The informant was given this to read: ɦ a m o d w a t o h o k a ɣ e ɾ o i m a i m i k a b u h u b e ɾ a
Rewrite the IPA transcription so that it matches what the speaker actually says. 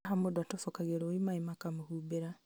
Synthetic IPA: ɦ a m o d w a t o f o k a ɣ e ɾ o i m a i m a k a m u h u b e ɾ a